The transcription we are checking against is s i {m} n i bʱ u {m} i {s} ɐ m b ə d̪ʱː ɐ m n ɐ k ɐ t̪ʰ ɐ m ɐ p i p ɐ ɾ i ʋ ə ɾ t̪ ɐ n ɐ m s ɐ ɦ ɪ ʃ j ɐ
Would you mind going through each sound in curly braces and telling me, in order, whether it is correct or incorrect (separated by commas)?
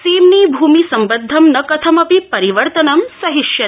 correct, correct, correct